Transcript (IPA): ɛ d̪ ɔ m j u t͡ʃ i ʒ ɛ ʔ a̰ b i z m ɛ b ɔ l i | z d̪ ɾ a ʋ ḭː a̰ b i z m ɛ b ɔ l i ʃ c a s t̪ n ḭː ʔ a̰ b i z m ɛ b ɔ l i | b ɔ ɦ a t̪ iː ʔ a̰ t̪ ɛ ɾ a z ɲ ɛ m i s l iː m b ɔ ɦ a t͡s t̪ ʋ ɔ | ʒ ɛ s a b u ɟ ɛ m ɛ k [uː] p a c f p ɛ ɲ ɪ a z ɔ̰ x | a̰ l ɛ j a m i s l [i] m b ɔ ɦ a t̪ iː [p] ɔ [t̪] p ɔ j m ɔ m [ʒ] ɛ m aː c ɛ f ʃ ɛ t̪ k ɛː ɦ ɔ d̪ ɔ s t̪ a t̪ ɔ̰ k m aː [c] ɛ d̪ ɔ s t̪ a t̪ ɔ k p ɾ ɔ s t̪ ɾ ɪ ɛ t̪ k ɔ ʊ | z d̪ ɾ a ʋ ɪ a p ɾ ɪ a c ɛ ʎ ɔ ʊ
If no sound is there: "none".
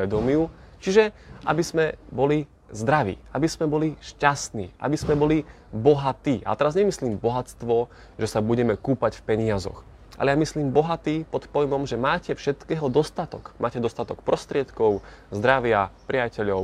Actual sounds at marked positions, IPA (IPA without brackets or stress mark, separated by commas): uː, iː, p, t̪, ʒ, c